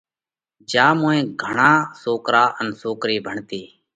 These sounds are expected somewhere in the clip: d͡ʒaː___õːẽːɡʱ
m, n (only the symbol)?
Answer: m